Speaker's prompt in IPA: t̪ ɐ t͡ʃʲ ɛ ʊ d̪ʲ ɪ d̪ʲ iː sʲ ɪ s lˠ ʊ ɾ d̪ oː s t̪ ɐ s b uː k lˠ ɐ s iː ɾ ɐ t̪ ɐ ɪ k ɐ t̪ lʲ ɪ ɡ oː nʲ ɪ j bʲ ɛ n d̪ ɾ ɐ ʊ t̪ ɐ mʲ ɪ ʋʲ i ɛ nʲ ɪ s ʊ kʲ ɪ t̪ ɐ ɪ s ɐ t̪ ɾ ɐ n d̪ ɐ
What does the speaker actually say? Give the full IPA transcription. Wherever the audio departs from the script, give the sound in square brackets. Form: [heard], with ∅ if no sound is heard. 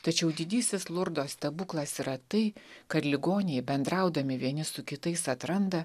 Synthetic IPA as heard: t̪ ɐ t͡ʃʲ ɛ ʊ d̪ʲ ɪ d̪ʲ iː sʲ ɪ s lˠ ʊ ɾ d̪ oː s t̪ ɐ [∅] b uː k lˠ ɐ s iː ɾ ɐ t̪ ɐ ɪ k ɐ t̪ lʲ ɪ ɡ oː nʲ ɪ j bʲ ɛ n d̪ ɾ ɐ ʊ [d̪] ɐ mʲ ɪ ʋʲ i ɛ nʲ ɪ s ʊ kʲ ɪ t̪ ɐ ɪ s ɐ t̪ ɾ ɐ n d̪ ɐ